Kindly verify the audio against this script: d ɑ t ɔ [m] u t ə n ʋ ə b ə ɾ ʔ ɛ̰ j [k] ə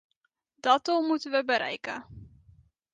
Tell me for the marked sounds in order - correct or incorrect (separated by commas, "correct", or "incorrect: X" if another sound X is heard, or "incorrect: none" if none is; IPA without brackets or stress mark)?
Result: correct, correct